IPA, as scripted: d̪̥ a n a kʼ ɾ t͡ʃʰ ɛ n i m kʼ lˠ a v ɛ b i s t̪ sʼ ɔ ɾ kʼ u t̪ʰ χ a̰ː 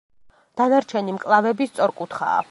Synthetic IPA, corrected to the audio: d̪̥ a n a ɾ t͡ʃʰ ɛ n i m kʼ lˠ a v ɛ b i s t̪ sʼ ɔ ɾ kʼ u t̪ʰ χ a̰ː